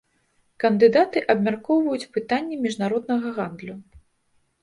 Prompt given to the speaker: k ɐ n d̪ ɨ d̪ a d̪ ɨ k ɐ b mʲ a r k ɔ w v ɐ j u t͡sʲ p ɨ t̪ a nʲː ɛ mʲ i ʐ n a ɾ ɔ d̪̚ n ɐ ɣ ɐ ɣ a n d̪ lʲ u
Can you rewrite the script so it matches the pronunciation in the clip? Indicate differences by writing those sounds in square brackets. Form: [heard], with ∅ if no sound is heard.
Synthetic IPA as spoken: k ɐ n d̪ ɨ d̪ a [t̪] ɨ [ʔ] ɐ b mʲ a r k ɔ w v ɐ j u t͡sʲ p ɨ t̪ a nʲː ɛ mʲ i ʐ n a ɾ ɔ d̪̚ n ɐ ɣ ɐ ɣ a n d̪ lʲ u